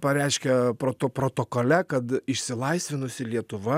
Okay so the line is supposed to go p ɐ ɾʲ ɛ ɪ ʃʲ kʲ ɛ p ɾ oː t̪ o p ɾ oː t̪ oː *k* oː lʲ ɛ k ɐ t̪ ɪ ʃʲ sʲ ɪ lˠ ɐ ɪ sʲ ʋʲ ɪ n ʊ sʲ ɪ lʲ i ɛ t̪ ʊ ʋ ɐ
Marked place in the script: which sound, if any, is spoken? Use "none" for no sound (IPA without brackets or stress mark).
k